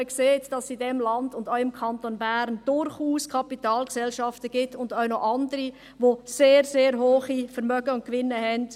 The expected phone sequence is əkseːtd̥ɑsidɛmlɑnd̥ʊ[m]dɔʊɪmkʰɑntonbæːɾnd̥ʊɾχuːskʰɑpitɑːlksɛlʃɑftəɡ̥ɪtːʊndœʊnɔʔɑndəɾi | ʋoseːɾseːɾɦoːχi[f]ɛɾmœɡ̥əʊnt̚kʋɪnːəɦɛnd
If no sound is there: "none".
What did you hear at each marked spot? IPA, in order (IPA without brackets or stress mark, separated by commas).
n, f